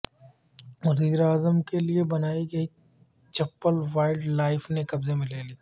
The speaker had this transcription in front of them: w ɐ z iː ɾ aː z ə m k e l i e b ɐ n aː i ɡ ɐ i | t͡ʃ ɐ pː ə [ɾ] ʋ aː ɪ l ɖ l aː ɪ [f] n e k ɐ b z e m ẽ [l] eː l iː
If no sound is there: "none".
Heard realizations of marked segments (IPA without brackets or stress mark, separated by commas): l, f, l